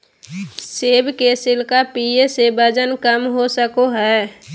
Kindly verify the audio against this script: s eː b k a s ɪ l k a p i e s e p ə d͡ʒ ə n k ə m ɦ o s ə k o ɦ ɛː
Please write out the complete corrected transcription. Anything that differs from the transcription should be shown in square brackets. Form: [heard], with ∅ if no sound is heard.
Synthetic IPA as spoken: s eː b k [e] s ɪ l k a p i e s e [b] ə d͡ʒ ə n k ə m ɦ o s ə k o ɦ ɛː